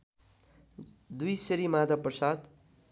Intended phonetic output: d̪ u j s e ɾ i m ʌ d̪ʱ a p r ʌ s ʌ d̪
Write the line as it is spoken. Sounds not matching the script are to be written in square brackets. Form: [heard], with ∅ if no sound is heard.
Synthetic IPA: d̪ u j s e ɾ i m [a] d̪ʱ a p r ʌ s [a] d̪